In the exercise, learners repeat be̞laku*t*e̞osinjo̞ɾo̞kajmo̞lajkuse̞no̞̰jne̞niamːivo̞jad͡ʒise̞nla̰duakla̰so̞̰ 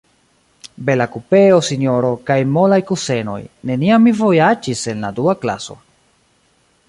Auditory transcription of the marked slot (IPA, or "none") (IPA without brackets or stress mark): p